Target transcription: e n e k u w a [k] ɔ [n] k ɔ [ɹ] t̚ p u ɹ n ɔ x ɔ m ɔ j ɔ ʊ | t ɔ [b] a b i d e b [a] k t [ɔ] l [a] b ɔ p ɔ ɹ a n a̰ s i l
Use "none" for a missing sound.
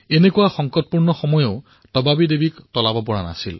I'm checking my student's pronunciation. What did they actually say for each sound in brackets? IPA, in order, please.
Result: x, ŋ, none, b, i, ɔ, a

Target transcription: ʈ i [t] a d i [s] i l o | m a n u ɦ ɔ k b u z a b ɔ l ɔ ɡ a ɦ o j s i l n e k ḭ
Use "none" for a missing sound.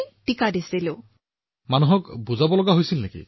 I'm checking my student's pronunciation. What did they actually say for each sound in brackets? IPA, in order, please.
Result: k, s

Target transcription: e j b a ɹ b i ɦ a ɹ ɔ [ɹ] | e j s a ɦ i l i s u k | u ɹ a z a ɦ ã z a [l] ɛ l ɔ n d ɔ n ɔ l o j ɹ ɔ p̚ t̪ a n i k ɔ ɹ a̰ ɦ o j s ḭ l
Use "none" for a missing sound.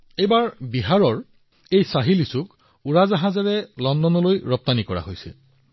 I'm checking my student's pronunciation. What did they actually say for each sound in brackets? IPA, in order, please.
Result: ɹ, ɹ

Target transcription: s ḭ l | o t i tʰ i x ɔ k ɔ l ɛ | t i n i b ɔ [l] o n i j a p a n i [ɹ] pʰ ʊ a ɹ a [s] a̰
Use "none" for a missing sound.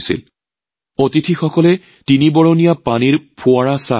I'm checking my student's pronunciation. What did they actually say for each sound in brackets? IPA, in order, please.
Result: ɹ, ɹ, s

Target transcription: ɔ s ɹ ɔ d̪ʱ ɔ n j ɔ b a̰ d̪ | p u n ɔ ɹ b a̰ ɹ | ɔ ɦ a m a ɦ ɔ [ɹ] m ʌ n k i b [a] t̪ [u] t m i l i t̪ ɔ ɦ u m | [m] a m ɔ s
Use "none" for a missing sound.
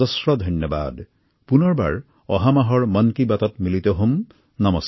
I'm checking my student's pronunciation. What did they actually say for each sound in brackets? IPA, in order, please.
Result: ɹ, a, ɔ, n

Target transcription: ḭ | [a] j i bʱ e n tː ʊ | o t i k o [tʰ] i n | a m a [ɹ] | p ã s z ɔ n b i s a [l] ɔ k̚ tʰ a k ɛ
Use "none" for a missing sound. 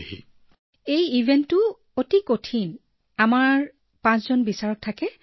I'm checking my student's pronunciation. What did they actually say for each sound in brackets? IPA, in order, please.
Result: e, tʰ, ɹ, ɹ

